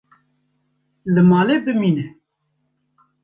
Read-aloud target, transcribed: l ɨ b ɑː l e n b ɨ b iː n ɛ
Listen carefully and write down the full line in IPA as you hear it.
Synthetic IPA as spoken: l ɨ m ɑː l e b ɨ m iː n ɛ